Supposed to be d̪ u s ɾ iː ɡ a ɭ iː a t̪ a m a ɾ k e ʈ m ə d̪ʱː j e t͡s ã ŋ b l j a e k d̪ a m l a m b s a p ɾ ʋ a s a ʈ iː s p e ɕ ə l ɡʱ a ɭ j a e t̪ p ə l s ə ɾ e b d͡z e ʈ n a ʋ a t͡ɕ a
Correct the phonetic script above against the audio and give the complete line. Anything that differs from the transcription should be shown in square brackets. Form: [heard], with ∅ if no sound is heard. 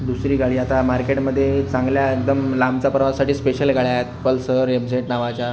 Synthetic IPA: d̪ u s ɾ iː ɡ a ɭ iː a t̪ a m a ɾ k e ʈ m ə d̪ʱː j e t͡s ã ŋ [ɡ] l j a e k d̪ [ə] m l a m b [t͡s] a p ɾ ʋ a s a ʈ iː s p e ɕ ə l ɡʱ a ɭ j a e t̪ p ə l s ə ɾ e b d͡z e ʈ n a ʋ a t͡ɕ a